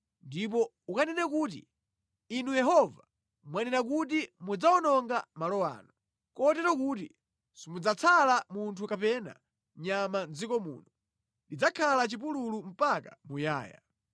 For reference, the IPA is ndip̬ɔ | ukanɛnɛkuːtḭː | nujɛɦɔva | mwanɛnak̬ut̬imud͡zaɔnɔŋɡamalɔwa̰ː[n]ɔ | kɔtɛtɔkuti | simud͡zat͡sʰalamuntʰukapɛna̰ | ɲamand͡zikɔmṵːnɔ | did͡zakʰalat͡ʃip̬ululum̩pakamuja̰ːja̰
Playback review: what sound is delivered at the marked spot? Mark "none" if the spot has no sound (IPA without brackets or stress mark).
n